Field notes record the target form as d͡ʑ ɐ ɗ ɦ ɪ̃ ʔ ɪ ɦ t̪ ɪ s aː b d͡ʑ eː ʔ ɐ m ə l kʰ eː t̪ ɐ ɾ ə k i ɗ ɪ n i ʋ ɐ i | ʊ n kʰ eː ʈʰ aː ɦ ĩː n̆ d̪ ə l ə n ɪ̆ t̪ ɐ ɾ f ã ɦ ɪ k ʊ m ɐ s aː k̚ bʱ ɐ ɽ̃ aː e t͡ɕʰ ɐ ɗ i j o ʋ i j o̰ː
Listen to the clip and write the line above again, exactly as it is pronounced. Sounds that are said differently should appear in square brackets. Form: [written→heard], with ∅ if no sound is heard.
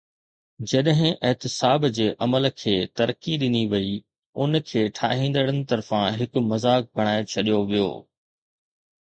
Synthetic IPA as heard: d͡ʑ ɐ ɗ ɦ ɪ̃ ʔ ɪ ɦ t̪ ɪ s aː b d͡ʑ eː ʔ ɐ m ə l kʰ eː t̪ ɐ ɾ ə k i ɗ ɪ n i ʋ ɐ i | ʊ n kʰ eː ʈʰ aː ɦ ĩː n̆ d̪ ə [l→ɽ] ə n ɪ̆ t̪ ɐ ɾ f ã ɦ ɪ k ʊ m ɐ [s→z] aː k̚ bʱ ɐ ɽ̃ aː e t͡ɕʰ ɐ ɗ i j o ʋ i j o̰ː